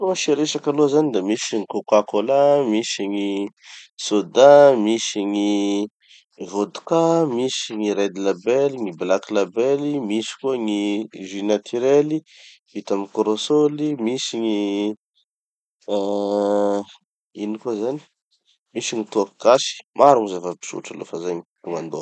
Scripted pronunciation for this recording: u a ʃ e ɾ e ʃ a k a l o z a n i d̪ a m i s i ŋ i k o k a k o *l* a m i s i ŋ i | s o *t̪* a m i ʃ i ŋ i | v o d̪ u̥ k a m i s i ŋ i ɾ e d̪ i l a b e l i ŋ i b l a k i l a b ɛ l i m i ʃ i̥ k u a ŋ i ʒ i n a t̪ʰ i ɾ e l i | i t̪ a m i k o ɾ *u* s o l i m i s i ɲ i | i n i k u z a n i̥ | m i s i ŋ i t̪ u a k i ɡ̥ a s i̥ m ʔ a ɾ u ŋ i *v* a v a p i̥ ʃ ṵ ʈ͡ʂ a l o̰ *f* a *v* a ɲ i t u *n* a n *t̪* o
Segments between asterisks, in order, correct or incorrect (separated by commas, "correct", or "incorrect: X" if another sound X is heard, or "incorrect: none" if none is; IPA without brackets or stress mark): correct, incorrect: d̪, incorrect: o, incorrect: z, correct, incorrect: z, incorrect: m, incorrect: d̪